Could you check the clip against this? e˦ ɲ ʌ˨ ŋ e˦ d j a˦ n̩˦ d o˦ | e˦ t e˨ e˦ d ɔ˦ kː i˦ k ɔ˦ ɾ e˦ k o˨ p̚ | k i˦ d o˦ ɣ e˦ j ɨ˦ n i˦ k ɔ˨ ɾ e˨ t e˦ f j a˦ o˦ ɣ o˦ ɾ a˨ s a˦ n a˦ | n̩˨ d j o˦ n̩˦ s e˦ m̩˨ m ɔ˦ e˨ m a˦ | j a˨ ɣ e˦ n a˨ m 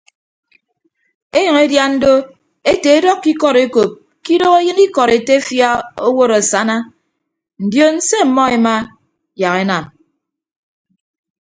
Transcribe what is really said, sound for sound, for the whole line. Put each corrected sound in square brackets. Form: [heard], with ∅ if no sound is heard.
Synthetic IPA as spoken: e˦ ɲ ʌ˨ ŋ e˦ d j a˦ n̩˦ d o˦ | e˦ t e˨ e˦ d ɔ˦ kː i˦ k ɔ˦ ɾ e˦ k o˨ p̚ | k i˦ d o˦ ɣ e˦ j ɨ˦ n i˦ k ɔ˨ ɾ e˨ t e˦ f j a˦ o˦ [w] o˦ ɾ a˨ s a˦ n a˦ | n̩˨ d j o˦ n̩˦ s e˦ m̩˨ m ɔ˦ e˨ m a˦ | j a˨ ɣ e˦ n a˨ m